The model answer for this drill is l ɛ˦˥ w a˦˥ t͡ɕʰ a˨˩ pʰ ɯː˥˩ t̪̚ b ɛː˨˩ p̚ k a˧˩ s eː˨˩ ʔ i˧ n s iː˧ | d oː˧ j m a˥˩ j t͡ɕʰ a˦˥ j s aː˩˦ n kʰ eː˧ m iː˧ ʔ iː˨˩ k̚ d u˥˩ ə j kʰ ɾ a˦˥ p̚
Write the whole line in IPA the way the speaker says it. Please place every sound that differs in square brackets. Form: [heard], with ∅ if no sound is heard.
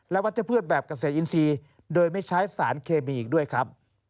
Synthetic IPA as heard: l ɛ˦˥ w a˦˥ [t͡ɕ] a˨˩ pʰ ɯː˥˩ t̪̚ b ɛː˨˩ p̚ k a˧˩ s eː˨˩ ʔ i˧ n s iː˧ | d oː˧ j m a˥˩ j t͡ɕʰ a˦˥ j s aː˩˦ n kʰ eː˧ m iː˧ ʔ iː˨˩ k̚ d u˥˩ ə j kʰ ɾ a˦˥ p̚